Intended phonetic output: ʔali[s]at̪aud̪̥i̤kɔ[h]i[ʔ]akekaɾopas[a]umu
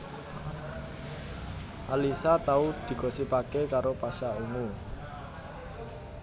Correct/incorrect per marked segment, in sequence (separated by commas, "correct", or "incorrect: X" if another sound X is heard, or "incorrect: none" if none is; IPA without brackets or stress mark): correct, incorrect: s, incorrect: p, correct